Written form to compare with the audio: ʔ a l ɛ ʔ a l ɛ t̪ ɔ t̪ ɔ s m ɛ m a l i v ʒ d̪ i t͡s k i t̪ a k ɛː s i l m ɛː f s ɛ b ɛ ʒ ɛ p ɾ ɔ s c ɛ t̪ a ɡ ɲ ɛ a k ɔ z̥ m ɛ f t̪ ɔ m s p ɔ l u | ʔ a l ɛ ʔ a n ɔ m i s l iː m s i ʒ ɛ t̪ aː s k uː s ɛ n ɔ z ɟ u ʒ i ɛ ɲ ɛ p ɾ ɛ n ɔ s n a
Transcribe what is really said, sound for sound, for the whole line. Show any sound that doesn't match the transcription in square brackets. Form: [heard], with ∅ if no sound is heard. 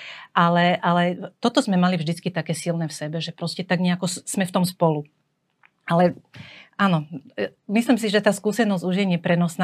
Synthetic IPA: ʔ a l ɛ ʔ a l ɛ t̪ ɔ t̪ ɔ [z] m ɛ m a l i v ʒ d̪ i t͡s k i t̪ a k ɛː s i l [n] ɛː f s ɛ b ɛ ʒ ɛ p ɾ ɔ s c ɛ t̪ a ɡ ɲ ɛ a k ɔ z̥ m ɛ f t̪ ɔ m s p ɔ l u | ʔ a l ɛ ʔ a n ɔ m i s l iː m s i ʒ ɛ t̪ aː s k uː s ɛ n ɔ z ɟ u ʒ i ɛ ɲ ɛ p ɾ ɛ n ɔ s n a